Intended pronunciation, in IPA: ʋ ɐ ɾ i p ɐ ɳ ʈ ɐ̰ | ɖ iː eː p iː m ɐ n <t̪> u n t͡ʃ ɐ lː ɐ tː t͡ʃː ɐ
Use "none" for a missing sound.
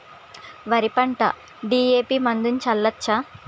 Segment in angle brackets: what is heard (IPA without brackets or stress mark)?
d̪